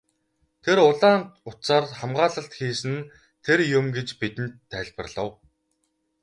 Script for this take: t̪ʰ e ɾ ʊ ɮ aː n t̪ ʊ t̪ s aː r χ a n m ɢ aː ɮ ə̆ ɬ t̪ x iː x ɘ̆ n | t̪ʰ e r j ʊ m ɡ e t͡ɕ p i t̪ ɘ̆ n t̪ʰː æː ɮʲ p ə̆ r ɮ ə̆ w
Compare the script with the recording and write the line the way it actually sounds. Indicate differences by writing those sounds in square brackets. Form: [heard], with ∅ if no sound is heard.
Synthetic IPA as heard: t̪ʰ e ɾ ʊ ɮ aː n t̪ ʊ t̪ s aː r χ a [∅] m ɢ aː ɮ ə̆ ɬ t̪ x iː [s] ɘ̆ n | t̪ʰ e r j ʊ m ɡ e t͡ɕ p i t̪ ɘ̆ n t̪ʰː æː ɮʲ p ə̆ r ɮ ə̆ w